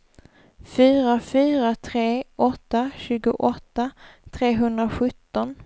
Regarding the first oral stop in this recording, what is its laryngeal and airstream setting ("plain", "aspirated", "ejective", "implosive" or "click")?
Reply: aspirated